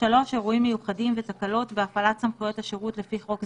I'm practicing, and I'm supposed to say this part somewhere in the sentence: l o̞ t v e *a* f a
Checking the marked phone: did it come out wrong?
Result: no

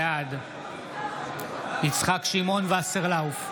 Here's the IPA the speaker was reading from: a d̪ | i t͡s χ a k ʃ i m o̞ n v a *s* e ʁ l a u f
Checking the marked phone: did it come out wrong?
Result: no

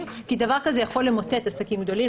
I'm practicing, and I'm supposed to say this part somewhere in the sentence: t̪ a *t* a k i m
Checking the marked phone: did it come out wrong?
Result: yes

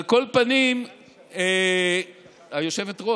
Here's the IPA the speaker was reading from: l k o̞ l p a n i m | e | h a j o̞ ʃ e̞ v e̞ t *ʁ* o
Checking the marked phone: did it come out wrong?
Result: no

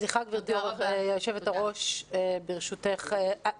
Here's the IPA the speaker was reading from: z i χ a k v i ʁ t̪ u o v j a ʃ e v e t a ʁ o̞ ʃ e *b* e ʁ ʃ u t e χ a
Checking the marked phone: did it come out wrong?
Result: no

